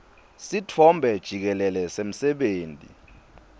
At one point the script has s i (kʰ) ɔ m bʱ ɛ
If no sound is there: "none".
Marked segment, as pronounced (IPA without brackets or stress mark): tʰ